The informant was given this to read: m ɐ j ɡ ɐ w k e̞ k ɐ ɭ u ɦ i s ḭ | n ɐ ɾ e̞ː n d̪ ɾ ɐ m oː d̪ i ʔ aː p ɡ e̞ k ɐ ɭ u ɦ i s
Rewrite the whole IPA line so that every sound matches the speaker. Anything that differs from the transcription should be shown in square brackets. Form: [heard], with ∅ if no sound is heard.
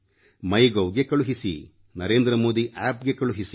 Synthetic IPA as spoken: m ɐ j ɡ ɐ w [ɡ] e̞ k ɐ ɭ u ɦ i s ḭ | n ɐ ɾ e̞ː n d̪ ɾ ɐ m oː d̪ i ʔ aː p ɡ e̞ k ɐ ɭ u ɦ i s